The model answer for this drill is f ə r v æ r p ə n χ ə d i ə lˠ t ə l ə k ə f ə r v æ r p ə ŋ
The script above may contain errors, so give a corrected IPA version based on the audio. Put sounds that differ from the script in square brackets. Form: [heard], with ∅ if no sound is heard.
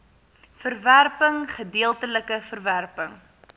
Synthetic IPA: f ə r v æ r p ə [ŋ] χ ə d i ə lˠ t ə l ə k ə f ə r v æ r p ə ŋ